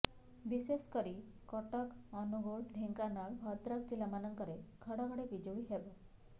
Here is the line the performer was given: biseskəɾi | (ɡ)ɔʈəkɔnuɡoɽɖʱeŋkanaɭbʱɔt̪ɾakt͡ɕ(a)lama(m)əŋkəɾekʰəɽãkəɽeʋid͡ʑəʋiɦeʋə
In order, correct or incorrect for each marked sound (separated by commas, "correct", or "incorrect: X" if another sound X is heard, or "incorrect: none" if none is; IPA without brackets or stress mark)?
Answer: incorrect: k, incorrect: i, incorrect: n